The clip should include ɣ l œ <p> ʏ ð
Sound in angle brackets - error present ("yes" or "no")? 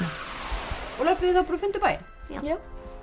no